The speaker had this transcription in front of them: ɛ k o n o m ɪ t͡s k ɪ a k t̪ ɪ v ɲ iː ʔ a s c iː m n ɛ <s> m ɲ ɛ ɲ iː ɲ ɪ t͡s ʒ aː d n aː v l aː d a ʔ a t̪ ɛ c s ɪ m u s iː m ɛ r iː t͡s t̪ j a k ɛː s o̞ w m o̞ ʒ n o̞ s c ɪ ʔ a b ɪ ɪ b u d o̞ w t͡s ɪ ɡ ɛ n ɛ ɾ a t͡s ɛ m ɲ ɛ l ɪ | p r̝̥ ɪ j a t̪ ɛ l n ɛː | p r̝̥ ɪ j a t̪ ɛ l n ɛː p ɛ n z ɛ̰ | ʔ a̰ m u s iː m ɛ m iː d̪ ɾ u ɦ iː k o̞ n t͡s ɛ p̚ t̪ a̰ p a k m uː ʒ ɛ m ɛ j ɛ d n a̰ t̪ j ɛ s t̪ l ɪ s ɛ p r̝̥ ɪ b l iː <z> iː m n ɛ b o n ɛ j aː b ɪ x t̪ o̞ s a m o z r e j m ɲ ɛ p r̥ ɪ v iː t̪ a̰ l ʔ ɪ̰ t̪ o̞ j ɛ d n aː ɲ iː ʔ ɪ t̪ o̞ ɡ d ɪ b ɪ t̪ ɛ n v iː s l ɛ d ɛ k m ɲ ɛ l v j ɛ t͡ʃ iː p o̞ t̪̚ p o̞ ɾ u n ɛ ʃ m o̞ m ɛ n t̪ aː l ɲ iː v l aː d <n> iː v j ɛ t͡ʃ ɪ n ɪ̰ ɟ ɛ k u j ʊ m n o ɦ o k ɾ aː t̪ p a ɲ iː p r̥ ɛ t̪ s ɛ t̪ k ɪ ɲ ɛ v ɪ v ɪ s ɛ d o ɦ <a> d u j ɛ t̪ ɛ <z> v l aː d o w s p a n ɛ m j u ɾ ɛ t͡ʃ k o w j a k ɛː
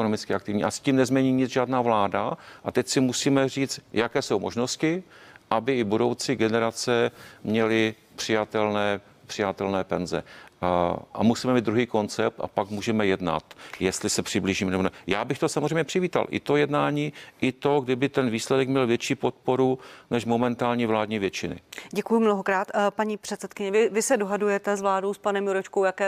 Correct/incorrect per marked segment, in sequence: incorrect, incorrect, incorrect, correct, correct

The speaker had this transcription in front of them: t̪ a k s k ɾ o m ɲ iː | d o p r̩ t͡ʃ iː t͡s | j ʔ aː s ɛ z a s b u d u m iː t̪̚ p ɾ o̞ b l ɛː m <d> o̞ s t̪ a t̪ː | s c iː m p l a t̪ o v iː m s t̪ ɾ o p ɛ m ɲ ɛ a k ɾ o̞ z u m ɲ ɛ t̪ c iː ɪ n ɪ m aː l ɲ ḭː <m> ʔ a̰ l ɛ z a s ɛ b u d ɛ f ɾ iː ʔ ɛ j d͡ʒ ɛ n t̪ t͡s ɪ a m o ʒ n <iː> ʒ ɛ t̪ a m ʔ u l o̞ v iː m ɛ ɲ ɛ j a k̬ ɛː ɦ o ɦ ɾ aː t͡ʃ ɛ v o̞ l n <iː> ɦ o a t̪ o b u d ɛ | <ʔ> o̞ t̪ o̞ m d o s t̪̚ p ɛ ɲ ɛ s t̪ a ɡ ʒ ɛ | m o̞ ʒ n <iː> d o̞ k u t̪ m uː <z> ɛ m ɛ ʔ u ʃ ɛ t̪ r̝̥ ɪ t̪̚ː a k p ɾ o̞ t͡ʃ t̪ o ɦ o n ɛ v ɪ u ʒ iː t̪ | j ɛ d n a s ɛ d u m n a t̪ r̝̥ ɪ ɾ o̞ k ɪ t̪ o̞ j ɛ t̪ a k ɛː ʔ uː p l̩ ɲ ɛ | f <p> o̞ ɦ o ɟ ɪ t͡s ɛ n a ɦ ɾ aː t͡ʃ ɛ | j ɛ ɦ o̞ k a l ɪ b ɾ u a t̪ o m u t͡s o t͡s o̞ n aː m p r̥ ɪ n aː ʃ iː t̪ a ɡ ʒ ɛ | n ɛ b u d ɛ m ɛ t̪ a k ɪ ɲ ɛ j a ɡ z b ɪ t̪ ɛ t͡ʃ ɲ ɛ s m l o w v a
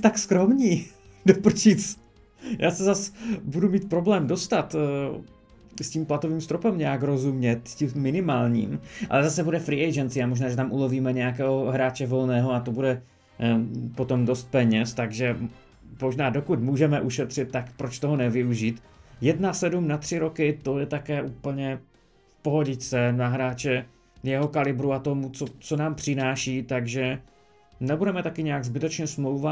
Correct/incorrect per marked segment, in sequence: correct, correct, incorrect, incorrect, incorrect, incorrect, incorrect, correct

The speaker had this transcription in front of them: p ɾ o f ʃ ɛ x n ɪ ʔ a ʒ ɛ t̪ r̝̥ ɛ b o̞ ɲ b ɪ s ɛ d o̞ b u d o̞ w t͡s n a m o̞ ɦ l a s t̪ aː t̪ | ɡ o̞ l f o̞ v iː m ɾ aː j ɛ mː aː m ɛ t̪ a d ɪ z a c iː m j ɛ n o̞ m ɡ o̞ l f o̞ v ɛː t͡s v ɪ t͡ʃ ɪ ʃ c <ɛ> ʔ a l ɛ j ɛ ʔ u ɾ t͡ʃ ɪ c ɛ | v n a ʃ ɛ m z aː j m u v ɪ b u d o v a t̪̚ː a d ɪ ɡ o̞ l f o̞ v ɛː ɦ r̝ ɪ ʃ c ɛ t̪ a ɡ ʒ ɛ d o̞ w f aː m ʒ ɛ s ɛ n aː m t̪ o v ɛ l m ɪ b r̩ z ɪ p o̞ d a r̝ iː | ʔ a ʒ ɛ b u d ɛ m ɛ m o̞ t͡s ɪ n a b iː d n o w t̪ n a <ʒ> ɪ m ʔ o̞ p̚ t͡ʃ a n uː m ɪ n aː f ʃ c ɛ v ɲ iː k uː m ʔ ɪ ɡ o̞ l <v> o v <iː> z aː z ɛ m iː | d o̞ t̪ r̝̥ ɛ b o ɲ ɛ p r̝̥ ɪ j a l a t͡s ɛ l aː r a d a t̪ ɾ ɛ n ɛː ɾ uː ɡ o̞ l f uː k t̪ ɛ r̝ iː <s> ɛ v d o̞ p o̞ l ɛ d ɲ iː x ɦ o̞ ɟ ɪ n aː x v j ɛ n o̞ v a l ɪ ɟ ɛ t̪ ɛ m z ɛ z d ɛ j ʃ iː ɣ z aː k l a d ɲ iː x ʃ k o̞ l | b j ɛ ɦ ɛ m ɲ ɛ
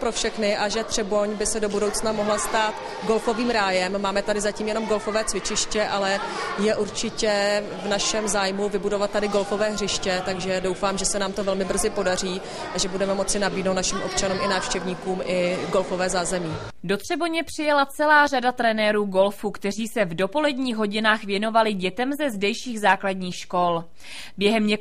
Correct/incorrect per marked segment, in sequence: correct, incorrect, incorrect, incorrect, correct

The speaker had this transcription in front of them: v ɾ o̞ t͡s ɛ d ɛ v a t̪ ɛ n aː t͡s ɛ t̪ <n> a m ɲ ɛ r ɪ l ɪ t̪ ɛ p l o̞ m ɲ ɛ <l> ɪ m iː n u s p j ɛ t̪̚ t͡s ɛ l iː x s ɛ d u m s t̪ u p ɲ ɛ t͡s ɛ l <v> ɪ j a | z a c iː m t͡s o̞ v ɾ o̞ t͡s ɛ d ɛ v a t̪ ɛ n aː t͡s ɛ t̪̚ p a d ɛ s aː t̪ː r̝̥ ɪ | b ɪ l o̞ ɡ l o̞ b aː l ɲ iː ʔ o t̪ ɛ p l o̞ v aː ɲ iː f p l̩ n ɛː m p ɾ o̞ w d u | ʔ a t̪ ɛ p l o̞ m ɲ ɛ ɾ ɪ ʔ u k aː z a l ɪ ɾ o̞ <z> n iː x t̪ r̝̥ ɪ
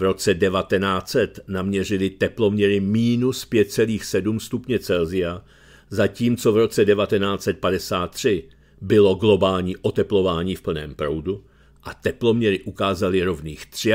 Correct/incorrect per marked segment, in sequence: correct, incorrect, incorrect, incorrect

